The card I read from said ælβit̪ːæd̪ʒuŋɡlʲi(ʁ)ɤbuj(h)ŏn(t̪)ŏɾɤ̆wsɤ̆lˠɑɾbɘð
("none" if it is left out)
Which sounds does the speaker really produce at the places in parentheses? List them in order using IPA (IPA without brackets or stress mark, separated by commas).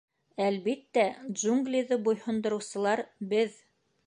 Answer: ð, h, d̪